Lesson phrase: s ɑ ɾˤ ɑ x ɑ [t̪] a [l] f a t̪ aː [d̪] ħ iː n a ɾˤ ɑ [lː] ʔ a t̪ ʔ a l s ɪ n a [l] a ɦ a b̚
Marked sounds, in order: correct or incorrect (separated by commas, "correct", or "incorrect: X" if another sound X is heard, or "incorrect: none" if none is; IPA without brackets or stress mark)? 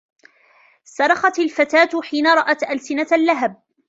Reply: correct, correct, incorrect: t̪, incorrect: none, incorrect: lː